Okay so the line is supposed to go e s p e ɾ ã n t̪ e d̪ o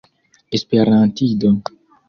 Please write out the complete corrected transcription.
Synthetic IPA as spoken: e s p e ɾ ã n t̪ i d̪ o